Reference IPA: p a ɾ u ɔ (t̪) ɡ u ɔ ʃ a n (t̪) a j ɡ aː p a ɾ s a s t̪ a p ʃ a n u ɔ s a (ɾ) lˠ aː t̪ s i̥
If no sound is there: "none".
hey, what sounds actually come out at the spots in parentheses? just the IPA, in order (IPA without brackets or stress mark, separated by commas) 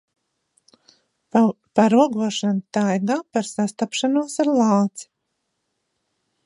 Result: none, t̪, ɾ